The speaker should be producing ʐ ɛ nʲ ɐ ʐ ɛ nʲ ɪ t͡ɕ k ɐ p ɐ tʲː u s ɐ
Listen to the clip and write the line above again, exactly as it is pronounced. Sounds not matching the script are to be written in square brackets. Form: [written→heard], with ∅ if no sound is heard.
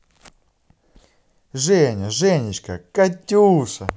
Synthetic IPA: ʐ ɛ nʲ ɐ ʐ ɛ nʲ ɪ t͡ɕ k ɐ [p→k] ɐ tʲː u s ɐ